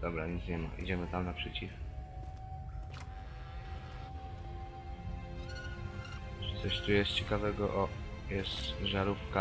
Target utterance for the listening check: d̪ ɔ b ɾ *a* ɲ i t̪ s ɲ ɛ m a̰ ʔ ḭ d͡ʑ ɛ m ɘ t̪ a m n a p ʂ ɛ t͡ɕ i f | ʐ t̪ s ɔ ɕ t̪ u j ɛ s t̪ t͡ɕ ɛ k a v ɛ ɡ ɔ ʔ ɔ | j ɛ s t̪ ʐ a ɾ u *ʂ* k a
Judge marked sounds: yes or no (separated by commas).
yes, no